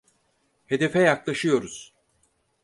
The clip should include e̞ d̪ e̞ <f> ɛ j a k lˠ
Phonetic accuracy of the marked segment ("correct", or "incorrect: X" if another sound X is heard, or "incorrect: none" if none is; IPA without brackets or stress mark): correct